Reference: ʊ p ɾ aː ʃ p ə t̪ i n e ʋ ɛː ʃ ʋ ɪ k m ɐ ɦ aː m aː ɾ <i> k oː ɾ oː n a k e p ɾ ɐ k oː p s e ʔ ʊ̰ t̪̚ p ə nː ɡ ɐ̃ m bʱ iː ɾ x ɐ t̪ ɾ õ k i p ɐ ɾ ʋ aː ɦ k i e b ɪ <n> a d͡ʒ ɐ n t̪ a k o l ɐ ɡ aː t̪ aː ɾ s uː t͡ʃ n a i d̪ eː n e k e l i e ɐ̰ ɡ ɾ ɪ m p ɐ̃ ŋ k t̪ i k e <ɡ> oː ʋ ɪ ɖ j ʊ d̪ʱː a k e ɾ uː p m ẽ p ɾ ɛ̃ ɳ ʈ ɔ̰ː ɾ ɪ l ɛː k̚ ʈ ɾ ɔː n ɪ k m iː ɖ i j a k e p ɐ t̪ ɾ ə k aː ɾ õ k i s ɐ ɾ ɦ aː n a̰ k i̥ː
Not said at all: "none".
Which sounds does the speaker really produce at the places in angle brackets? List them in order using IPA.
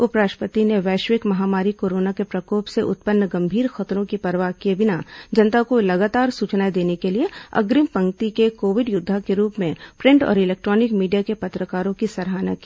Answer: i, n, k

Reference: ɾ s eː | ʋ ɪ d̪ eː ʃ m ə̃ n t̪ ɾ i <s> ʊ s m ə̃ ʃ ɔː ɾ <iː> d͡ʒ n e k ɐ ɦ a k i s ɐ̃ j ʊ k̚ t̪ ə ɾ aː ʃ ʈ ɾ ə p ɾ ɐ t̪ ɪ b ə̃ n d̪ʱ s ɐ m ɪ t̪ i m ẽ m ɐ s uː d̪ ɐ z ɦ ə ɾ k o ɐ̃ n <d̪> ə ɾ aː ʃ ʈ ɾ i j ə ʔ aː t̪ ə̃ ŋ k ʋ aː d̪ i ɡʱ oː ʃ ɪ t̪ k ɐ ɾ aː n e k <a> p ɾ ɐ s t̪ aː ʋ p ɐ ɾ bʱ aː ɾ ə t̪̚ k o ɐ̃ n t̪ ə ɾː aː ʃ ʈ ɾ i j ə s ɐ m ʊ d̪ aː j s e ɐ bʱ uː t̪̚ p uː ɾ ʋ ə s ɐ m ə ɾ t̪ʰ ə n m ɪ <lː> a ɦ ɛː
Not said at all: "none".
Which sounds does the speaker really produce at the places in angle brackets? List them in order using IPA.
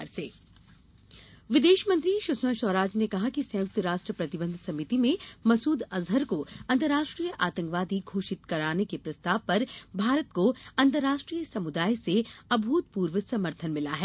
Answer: ʃ, aː, t̪, e, l

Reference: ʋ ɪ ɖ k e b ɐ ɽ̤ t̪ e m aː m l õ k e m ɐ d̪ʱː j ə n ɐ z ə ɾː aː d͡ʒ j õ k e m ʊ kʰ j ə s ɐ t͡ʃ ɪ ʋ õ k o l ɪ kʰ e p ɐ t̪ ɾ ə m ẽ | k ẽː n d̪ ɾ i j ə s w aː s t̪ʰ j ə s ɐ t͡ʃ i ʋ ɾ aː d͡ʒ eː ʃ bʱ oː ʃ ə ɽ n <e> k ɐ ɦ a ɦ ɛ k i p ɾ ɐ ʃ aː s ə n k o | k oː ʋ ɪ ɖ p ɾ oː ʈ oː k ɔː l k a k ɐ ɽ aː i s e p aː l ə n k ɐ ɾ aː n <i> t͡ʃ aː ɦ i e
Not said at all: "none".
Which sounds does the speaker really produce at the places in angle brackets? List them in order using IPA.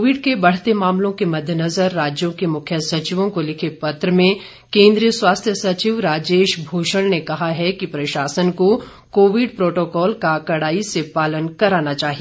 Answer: e, a

